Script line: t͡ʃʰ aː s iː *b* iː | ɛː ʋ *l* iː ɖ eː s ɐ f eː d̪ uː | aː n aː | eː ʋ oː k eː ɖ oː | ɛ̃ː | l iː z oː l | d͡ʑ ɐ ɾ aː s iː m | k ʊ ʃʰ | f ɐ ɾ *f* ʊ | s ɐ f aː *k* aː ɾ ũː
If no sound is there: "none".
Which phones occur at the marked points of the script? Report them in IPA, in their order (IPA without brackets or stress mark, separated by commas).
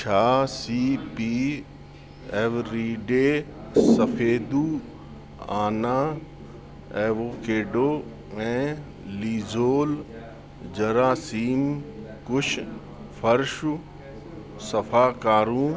p, ɾ, ʃ, k